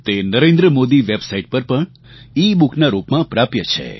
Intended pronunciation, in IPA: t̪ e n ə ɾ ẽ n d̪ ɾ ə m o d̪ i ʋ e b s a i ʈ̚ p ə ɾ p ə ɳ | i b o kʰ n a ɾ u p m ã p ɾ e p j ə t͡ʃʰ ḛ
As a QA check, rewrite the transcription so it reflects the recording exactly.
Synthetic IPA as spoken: t̪ e n ə ɾ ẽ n d̪ ɾ ə m o d̪ i ʋ e b s a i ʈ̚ p ə ɾ p ə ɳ | i b u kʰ n a ɾ u p m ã p ɾ a p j ə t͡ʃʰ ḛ

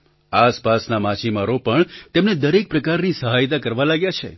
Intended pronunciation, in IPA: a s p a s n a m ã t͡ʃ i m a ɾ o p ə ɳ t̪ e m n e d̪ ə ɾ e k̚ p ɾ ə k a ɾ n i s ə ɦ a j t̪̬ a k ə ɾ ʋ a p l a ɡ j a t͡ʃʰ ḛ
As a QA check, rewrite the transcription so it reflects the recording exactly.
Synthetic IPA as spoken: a s p a s n a m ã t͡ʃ i m a ɾ o p ə ɳ t̪ e m n e d̪ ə ɾ e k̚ p ɾ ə k a ɾ n i s ə ɦ a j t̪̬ a k ə ɾ ʋ a l a ɡ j a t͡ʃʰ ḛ

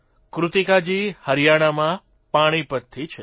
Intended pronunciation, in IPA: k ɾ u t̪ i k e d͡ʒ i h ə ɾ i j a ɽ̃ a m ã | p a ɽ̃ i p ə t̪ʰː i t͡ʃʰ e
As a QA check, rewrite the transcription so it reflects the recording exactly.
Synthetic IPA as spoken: k ɾ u t̪ i k a d͡ʒ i h ə ɾ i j a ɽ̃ a m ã | p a ɽ̃ i p ə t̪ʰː i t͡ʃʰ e

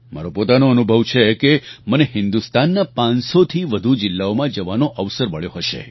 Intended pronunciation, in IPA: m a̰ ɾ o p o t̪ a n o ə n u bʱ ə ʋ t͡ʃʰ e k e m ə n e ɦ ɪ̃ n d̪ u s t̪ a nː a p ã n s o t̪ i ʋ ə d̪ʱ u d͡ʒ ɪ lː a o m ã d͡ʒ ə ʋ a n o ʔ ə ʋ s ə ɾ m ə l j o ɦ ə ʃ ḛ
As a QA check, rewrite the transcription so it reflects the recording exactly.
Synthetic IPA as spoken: m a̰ ɾ o p o t̪ a n o ə n u bʱ ə ʋ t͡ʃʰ e k e m ə n e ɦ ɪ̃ n d̪ u s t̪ a nː a p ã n s o t̪ʰ i ʋ ə d̪ʱ u d͡ʒ ɪ lː a o m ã d͡ʒ ə ʋ a n o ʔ ə ʋ s ə ɾ m ə ɭ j o ɦ ə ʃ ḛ

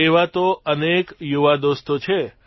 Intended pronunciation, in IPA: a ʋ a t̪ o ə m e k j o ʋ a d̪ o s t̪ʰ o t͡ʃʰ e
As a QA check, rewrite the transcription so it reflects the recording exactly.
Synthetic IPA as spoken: e ʋ a t̪ o ə n e k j u ʋ a d̪ o s t̪ o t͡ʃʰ e

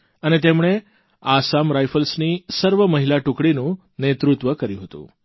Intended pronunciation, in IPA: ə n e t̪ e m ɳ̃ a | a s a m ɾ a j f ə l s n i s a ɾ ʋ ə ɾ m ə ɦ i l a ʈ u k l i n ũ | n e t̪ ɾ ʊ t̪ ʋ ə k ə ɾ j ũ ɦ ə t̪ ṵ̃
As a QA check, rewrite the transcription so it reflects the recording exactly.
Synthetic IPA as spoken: ə n e t̪ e m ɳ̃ e | a s a m ɾ a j f ə l s n i s ə ɾ ʋ ə m ə ɦ i l a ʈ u k ɽ i n ũ | n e t̪ ɾ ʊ t̪ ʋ ə k ə ɾ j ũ ɦ ə t̪ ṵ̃

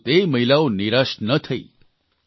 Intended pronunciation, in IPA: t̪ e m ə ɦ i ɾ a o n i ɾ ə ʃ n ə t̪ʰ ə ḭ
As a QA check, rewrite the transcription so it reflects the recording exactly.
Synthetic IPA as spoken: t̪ e m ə ɦ i l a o n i ɾ a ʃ n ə t̪ʰ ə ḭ

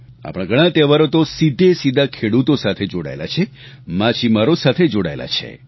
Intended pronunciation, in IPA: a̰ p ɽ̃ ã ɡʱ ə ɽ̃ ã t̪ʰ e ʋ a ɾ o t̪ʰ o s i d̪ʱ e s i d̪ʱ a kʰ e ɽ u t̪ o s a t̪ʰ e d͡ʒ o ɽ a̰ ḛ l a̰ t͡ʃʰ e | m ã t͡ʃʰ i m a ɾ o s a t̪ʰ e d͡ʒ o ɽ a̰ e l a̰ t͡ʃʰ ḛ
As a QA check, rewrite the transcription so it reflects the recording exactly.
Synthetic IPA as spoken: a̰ p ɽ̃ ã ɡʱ ə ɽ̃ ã t̪ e ʋ a ɾ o t̪ o s i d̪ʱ e s i d̪ʱ a kʰ e ɽ u t̪ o s a t̪ʰ e d͡ʒ o ɽ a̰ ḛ l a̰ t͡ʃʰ e | m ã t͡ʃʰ i m a ɾ o s a t̪ʰ e d͡ʒ o ɽ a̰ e l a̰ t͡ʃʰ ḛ

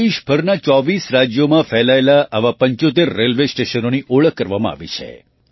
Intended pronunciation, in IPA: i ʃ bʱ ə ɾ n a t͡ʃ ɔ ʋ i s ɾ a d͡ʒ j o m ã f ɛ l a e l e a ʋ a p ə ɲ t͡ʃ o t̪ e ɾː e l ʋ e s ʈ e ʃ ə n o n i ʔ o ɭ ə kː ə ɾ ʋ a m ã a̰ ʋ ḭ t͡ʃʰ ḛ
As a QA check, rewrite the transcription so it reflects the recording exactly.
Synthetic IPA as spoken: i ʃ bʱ ə ɾ n a t͡ʃ ɔ ʋ i s ɾ a d͡ʒ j o m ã f ɛ l a e l a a ʋ a p ə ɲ t͡ʃ o t̪ e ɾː e l ʋ e s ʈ e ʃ ə n o n i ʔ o ɭ ə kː ə ɾ ʋ a m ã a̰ ʋ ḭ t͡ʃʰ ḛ

